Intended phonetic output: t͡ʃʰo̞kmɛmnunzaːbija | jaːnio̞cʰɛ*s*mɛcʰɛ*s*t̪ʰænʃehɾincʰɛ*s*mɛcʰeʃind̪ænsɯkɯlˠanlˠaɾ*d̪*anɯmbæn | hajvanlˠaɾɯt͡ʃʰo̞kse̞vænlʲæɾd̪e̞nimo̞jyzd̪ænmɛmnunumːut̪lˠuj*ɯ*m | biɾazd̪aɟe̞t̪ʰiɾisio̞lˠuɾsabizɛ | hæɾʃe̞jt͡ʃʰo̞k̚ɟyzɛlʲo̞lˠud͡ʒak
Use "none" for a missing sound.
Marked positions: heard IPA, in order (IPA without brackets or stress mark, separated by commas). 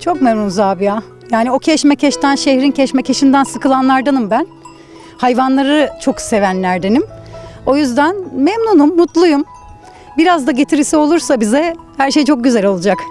ʃ, ʃ, ʃ, d̪, u